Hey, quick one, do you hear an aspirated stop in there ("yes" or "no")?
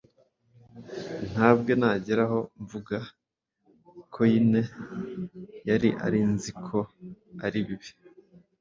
yes